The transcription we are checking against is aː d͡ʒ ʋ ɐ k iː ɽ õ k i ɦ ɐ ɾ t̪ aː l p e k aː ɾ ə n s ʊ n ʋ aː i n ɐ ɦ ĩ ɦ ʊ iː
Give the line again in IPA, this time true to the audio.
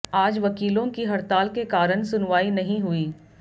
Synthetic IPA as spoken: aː d͡ʒ ʋ ɐ k iː l õ k i ɦ ɐ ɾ t̪ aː l k e k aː ɾ ə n s ʊ n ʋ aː i n ɐ ɦ ĩ ɦ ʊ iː

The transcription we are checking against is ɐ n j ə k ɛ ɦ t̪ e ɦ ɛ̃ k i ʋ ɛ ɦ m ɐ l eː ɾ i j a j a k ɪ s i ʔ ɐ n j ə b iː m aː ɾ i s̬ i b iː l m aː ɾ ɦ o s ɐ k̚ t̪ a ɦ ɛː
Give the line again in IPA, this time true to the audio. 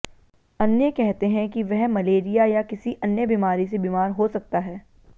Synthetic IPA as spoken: ɐ n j ə k ɛ ɦ t̪ e ɦ ɛ̃ k i ʋ ɛ ɦ m ɐ l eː ɾ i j a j a k ɪ s i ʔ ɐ n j ə b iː m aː ɾ i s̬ e b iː m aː ɾ ɦ o s ɐ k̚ t̪ a ɦ ɛː

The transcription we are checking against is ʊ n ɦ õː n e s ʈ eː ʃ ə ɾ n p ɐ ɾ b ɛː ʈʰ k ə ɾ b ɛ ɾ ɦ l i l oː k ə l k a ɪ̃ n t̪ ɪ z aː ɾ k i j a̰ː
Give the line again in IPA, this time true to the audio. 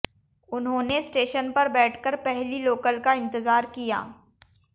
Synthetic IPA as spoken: ʊ n ɦ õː n e s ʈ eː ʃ ə n p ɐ ɾ b ɛː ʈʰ k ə ɾ p ɛ ɦ l i l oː k ə l k a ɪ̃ n t̪ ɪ z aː ɾ k i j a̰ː

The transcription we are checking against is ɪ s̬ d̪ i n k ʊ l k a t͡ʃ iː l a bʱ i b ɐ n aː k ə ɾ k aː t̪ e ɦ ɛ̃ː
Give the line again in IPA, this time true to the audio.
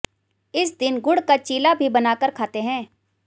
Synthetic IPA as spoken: ɪ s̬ d̪ ɪ n ɡ ʊ ɽ k a t͡ʃ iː l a bʱ i b ɐ n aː k ə ɾ kʰ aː t̪ e ɦ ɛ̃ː

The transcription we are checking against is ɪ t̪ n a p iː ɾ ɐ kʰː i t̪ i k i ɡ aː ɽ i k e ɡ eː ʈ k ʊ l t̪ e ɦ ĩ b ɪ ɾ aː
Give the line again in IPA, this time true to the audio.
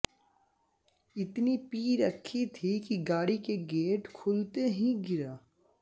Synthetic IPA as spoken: ɪ t̪ n i p iː ɾ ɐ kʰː i t̪ʰ i k i ɡ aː ɽ i k e ɡ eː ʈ kʰ ʊ l t̪ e ɦ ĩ ɡ ɪ ɾ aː

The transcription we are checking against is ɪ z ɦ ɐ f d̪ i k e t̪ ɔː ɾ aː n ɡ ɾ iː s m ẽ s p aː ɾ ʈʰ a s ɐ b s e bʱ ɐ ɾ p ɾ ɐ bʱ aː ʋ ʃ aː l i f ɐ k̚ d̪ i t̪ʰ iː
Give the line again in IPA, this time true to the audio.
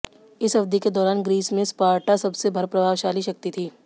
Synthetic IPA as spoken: ɪ s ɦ ɐ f d̪ i k e d̪ ɔː ɾ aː n ɡ ɾ iː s m ẽ s p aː ɾ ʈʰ a s ɐ b s e bʱ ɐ ɾ p ɾ ɐ bʱ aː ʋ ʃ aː l i ʃ ɐ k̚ t̪ i t̪ʰ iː

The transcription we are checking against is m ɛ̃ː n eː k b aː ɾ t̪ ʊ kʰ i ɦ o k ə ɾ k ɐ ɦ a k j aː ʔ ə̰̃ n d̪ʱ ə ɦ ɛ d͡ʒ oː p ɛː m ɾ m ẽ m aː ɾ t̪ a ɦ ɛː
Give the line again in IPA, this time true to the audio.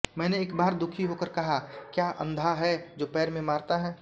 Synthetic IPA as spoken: m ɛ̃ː n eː k b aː ɾ d̪ ʊ kʰ i ɦ o k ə ɾ k ɐ ɦ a k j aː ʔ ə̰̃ n d̪ʱ a ɦ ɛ d͡ʒ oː p ɛː ɾ m ẽ m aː ɾ t̪ a ɦ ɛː

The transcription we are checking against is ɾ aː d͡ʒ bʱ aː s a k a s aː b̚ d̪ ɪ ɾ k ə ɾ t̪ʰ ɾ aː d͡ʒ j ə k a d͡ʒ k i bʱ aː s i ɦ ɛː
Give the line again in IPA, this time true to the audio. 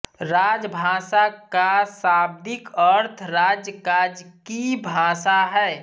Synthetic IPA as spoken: ɾ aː d͡ʒ bʱ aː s a k a s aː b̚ d̪ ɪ k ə ɾ t̪ʰ ɾ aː d͡ʒ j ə k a d͡ʒ k i bʱ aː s a ɦ ɛː

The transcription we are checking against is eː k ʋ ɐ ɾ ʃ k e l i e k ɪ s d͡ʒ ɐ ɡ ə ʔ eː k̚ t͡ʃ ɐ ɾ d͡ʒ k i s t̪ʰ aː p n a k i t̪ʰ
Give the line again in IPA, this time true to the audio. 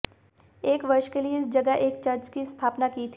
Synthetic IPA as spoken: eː k ʋ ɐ ɾ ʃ k e l i e ɪ s d͡ʒ ɐ ɡ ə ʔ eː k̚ t͡ʃ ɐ ɾ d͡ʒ k i s t̪ʰ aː p n a k i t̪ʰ

